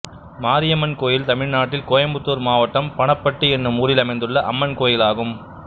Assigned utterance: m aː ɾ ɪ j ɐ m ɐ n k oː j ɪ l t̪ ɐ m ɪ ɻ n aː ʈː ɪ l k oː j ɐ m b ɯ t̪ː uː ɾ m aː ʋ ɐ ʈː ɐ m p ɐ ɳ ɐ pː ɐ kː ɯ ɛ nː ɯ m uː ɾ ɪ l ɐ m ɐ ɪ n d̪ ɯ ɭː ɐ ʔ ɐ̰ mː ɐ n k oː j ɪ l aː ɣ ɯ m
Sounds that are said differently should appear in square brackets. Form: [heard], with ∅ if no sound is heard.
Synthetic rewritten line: m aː ɾ ɪ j ɐ m ɐ n k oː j ɪ l t̪ ɐ m ɪ ɻ n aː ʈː ɪ l k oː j ɐ m b ɯ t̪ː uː ɾ m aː ʋ ɐ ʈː ɐ m p ɐ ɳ ɐ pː ɐ [ʈː] ɯ ɛ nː ɯ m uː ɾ ɪ l ɐ m ɐ ɪ n d̪ ɯ ɭː ɐ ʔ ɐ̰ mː ɐ n k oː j ɪ l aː ɣ ɯ m